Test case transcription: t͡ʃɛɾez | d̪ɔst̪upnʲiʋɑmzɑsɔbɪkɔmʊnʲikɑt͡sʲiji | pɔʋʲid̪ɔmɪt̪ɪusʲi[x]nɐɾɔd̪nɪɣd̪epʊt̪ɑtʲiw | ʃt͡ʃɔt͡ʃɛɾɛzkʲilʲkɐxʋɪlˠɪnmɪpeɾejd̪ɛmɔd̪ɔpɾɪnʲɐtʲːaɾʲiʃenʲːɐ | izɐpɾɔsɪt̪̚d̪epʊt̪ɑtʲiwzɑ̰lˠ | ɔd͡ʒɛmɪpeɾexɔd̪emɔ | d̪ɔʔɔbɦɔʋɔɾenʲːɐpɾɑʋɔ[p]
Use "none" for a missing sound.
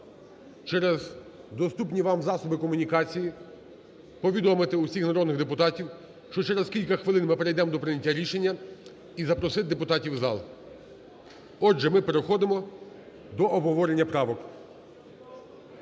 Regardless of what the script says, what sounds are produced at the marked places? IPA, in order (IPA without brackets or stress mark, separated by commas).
x, k